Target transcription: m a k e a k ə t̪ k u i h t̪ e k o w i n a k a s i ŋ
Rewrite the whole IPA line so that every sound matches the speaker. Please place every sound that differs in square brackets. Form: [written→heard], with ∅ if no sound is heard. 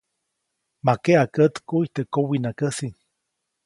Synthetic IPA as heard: m a k e a k ə t̪ k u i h t̪ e k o w i n a k [a→ə] s i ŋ

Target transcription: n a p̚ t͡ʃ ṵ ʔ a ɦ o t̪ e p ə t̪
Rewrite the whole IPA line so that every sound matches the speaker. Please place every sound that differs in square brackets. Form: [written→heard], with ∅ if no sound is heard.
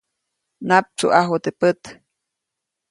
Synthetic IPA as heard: n a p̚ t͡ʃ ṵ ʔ a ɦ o t̪ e p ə t̪

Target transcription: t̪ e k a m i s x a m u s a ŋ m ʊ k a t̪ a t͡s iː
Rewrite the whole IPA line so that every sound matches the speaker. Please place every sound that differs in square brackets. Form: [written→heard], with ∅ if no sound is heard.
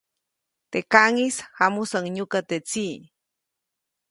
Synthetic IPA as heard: t̪ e k a [m→ŋ] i s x a m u s a ŋ [m→ɲ] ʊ k a t̪ [a→e] t͡s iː

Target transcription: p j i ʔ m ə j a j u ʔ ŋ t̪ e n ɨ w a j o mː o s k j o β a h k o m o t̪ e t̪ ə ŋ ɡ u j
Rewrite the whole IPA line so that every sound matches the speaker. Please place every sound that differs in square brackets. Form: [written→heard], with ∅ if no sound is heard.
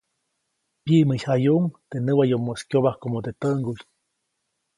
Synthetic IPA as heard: p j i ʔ m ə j a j u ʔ ŋ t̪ e n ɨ w a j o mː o s k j o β a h k o m o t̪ e t̪ ə ŋ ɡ u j

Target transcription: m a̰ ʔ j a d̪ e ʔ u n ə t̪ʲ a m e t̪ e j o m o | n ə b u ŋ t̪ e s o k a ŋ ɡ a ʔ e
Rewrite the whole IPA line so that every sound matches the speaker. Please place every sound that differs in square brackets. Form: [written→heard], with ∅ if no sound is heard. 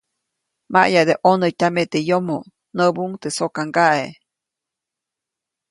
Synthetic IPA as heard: m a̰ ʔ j a d̪ e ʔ [u→o] n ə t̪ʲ a m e t̪ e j o m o | n ə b u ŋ t̪ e s o k a ŋ ɡ a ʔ e

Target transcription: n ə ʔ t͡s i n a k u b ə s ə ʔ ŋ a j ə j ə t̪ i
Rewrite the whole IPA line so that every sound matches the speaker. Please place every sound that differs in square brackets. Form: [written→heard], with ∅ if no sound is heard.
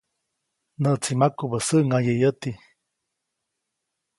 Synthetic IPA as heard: n ə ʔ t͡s i [n→m] a k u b ə s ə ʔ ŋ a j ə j ə t̪ i

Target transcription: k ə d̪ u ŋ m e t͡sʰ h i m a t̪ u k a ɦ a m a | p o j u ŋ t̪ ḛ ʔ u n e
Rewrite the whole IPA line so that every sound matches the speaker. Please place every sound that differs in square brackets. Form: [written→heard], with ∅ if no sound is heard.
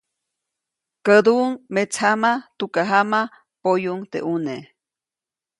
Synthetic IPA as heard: k ə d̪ u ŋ m e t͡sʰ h [i→a] m a t̪ u k a ɦ a m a | p o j u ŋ t̪ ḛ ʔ u n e

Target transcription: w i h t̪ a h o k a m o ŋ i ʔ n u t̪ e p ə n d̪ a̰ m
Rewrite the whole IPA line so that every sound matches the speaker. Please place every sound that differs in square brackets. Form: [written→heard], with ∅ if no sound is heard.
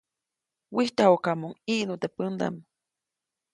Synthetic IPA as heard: w i h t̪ a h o k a m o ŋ i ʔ n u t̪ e p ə n d̪ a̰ m

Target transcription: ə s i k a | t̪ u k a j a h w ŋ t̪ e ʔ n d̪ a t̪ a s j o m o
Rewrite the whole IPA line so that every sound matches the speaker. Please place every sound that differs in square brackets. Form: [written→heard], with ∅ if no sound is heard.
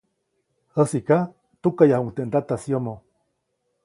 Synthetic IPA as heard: ə s i k a | t̪ u k a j a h [w→u] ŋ t̪ e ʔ n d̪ a t̪ a s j o m o

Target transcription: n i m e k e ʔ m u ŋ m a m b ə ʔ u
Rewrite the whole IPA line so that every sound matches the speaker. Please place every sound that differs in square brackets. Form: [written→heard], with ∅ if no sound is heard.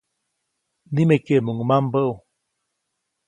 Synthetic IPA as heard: n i m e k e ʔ m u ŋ m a m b ə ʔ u

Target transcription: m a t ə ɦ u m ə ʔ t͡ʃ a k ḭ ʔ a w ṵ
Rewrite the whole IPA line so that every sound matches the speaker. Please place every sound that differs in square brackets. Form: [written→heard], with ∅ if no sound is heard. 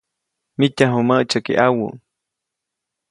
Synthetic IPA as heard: m [a→i] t [ə→a] ɦ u m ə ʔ t͡ʃ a k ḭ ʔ a w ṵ

